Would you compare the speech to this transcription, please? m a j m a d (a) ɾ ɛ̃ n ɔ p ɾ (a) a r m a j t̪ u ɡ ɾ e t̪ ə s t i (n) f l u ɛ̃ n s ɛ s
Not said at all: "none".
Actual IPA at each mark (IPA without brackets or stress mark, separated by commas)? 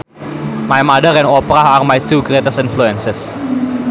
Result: ə, a, n